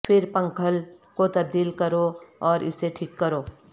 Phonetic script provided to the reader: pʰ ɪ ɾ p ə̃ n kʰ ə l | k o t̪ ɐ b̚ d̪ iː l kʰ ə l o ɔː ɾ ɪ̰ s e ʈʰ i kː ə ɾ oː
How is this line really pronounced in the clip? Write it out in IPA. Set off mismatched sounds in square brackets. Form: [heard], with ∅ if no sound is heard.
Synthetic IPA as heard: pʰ ɪ ɾ p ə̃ [ŋ] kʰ ə l | k o t̪ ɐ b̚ d̪ iː l [k] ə [ɾ] o ɔː ɾ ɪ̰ s e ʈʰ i kː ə ɾ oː